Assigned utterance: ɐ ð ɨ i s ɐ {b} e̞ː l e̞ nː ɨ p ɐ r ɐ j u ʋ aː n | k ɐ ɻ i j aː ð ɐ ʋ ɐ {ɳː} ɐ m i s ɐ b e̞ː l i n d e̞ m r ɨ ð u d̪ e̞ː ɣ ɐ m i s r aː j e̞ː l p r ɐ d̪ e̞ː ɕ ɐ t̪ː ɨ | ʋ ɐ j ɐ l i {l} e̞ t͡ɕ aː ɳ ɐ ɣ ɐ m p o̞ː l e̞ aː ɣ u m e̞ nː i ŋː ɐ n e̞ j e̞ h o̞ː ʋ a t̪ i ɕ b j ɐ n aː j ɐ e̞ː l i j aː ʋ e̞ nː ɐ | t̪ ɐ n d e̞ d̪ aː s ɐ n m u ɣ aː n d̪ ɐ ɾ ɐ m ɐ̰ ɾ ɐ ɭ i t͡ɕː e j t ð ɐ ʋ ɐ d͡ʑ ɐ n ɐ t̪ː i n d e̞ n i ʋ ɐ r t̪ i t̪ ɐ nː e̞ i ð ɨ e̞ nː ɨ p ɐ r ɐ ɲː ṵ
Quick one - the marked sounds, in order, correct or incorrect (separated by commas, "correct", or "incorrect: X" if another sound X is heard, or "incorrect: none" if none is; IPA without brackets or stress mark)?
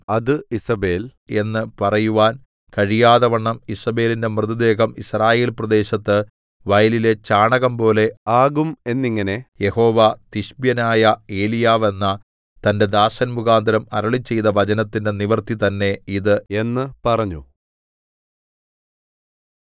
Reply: correct, correct, correct